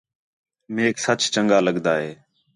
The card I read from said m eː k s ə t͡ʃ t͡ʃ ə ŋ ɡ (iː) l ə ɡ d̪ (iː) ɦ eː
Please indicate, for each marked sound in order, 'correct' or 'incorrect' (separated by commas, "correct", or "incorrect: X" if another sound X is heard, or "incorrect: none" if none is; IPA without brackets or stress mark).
incorrect: aː, incorrect: aː